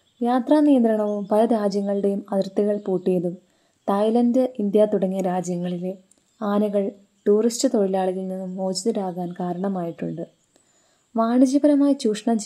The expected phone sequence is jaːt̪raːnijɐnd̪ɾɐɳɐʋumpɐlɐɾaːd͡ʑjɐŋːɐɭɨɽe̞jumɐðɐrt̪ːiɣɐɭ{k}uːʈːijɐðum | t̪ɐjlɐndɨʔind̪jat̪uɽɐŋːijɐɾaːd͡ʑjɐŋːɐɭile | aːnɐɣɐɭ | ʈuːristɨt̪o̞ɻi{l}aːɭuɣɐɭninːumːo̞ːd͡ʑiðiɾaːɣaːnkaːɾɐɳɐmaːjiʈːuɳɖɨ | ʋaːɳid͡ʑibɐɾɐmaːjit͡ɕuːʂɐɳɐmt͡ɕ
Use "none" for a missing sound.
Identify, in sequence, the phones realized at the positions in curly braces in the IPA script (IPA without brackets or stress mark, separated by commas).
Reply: p, l